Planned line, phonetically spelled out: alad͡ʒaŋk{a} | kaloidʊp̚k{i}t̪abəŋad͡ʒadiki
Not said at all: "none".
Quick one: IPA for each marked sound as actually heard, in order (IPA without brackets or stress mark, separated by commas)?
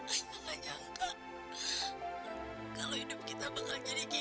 a, i